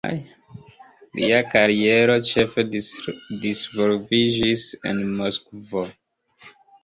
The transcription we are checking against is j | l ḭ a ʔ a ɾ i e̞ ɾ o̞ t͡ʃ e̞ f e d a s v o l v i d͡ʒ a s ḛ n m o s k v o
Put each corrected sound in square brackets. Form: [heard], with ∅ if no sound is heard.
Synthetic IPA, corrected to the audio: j | l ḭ a [k] a ɾ i e̞ ɾ o̞ t͡ʃ e̞ f e d [i] s v o l v i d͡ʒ [i] s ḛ n m o s k v o

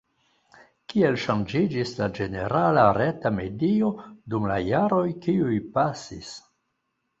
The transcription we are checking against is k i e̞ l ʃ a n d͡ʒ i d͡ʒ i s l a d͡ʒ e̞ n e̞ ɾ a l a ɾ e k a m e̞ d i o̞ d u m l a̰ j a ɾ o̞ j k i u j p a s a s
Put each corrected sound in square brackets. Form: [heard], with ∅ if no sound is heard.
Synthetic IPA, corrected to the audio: k i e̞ l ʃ a n d͡ʒ i d͡ʒ i s l a d͡ʒ e̞ n e̞ ɾ a l a ɾ e [t] a m e̞ d i o̞ d u m l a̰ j a ɾ o̞ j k i u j p a s [i] s

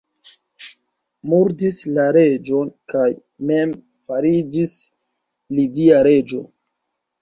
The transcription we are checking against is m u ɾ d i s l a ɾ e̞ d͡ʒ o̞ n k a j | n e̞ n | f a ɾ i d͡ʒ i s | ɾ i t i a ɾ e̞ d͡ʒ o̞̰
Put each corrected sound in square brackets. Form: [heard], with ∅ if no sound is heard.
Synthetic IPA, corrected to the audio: m u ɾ d i s l a ɾ e̞ d͡ʒ o̞ n k a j | [m] e̞ [m] | f a ɾ i d͡ʒ i s | [l] i [d] i a ɾ e̞ d͡ʒ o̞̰

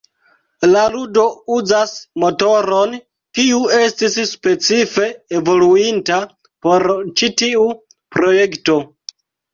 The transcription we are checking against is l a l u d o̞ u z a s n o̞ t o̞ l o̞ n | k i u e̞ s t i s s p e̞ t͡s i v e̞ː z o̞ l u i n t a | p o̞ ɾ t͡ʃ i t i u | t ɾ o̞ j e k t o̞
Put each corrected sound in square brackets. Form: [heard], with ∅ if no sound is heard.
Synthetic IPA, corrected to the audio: l a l u d o̞ u z a s [m] o̞ t o̞ [ɾ] o̞ n | k i u e̞ s t i s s p e̞ t͡s i [f] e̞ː [v] o̞ l u i n t a | p o̞ ɾ t͡ʃ i t i u | [p] ɾ o̞ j e k t o̞

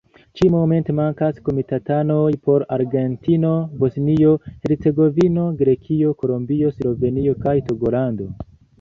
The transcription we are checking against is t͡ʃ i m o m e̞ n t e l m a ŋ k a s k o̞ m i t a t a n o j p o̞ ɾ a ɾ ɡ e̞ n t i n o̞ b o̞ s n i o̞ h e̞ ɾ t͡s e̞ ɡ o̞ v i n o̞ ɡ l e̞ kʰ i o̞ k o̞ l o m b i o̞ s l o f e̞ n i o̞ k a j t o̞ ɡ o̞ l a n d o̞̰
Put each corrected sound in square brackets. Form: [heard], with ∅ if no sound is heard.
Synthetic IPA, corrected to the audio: t͡ʃ i m o m e̞ n t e [∅] m a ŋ k a s k o̞ m i t a t a n o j p o̞ ɾ a ɾ ɡ e̞ n t i n o̞ b o̞ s n i o̞ h e̞ ɾ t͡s e̞ ɡ o̞ v i n o̞ ɡ [ɾ] e̞ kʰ i o̞ k o̞ l o m b i o̞ s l o [v] e̞ n i o̞ k a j t o̞ ɡ o̞ l a n d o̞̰

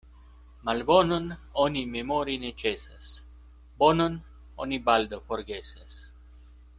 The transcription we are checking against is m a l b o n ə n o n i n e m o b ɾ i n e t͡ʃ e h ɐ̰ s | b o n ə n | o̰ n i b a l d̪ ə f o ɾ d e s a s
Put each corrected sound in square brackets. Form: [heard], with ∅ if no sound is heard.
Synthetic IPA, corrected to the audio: m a l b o n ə n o n i [m] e m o [∅] ɾ i n e t͡ʃ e [s] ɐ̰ s | b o n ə n | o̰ n i b a l d̪ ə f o ɾ [ɡ] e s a s

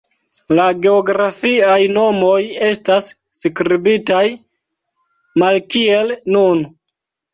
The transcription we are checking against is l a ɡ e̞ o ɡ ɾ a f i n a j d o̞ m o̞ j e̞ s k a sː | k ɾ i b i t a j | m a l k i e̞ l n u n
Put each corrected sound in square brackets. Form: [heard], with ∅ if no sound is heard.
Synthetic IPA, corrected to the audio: l a ɡ e̞ o ɡ ɾ a f i [∅] a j [n] o̞ m o̞ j e̞ s [t] a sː | k ɾ i b i t a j | m a l k i e̞ l n u n

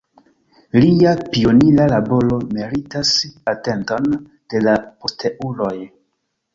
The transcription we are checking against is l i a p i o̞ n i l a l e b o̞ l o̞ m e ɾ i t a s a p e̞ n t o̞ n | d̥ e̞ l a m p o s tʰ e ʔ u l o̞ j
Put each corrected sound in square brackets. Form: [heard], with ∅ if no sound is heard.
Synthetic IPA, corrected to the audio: l i a p i o̞ n i l a l [a] b o̞ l o̞ m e ɾ i t a s a [t] e̞ n t o̞ n | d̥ e̞ l a [∅] p o s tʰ e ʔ u l o̞ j

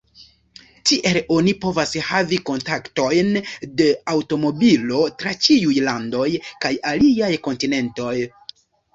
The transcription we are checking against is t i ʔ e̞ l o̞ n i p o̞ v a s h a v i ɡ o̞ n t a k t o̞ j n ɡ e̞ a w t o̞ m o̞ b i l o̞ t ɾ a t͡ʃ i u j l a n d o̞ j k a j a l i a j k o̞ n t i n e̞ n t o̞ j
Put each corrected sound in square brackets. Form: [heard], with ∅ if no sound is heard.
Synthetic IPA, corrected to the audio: t i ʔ e̞ l o̞ n i p o̞ v a s h a v i [k] o̞ n t a k t o̞ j n [d] e̞ a w t o̞ m o̞ b i l o̞ t ɾ a t͡ʃ i u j l a n d o̞ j k a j a l i a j k o̞ n t i n e̞ n t o̞ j

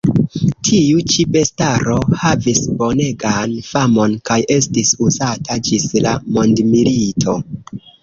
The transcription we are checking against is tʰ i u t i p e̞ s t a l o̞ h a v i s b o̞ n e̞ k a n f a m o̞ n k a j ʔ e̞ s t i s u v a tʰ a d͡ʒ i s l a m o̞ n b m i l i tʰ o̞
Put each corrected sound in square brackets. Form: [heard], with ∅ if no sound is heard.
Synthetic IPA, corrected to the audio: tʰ i u [t͡ʃ] i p e̞ s t a [ɾ] o̞ h a v i s b o̞ n e̞ [ɡ] a n f a m o̞ n k a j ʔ e̞ s t i s u [z] a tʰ a d͡ʒ i s l a m o̞ n [d] m i l i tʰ o̞

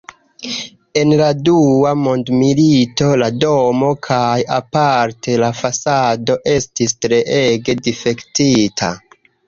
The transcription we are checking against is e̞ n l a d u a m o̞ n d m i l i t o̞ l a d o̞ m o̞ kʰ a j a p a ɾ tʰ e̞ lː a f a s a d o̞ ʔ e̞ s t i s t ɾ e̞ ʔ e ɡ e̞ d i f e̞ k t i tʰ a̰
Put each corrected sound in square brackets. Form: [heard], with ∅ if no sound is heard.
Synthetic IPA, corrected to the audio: e̞ n l a d u a m o̞ n d m i l i t o̞ l a d o̞ m o̞ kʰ a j a p a ɾ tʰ e̞ [l] a f a s a d o̞ ʔ e̞ s t i s t ɾ e̞ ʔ e ɡ e̞ d i f e̞ k t i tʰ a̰

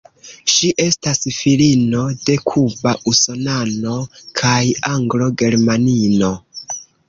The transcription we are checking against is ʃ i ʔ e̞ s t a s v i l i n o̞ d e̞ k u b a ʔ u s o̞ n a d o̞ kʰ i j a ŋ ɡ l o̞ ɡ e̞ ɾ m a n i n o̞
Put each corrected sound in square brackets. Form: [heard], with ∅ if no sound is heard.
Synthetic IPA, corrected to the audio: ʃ i ʔ e̞ s t a s [f] i l i n o̞ d e̞ [kʰ] u b a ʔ u s o̞ n a [n] o̞ kʰ [a] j a ŋ ɡ l o̞ ɡ e̞ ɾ m a n i n o̞

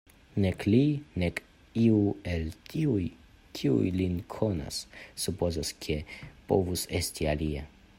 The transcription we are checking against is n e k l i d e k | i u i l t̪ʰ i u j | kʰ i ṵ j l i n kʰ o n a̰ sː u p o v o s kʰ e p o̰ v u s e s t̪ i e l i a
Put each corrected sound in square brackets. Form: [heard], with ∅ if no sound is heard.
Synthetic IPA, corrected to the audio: n e k l i [n] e k | i u [e] l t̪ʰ i u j | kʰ i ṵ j l i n kʰ o n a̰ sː u p o [z] o s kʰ e p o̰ v u s e s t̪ i [a] l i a

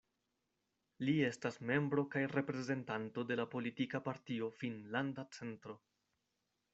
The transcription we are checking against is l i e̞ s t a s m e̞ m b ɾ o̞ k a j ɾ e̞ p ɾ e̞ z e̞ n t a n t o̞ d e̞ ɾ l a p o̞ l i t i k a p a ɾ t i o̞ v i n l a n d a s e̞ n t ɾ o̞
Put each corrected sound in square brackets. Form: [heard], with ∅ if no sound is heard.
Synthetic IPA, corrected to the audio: l i e̞ s t a s m e̞ m b ɾ o̞ k a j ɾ e̞ p ɾ e̞ z e̞ n t a n t o̞ d e̞ [∅] l a p o̞ l i t i k a p a ɾ t i o̞ [f] i n l a n d a [t͡s] e̞ n t ɾ o̞

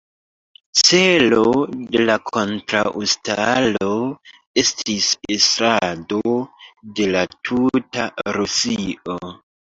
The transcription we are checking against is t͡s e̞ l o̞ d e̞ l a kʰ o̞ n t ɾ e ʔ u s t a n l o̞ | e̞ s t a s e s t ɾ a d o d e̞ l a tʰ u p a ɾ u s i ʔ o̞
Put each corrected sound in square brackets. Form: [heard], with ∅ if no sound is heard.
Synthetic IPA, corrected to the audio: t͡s e̞ l o̞ d e̞ l a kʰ o̞ n t ɾ [a] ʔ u s t a [∅] l o̞ | e̞ s t [i] s e s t ɾ a d o d e̞ l a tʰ u [t] a ɾ u s i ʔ o̞

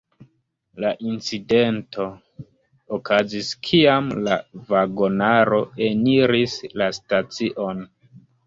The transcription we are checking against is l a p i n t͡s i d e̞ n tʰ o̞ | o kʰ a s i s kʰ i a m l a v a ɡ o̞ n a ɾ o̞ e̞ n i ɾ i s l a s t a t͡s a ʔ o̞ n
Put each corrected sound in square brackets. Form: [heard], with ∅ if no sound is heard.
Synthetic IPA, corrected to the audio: l a [ʔ] i n t͡s i d e̞ n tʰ o̞ | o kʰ a [z] i s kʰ i a m l a v a ɡ o̞ n a ɾ o̞ e̞ n i ɾ i s l a s t a t͡s [i] ʔ o̞ n

